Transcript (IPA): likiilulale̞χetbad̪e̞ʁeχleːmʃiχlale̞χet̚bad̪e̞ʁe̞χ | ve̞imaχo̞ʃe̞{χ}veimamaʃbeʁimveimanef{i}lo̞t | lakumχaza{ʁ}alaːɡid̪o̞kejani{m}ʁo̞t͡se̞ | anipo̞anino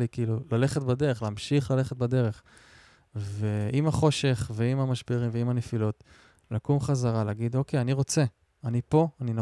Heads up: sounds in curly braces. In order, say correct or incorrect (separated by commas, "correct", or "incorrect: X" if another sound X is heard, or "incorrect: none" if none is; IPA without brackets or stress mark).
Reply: correct, correct, correct, incorrect: none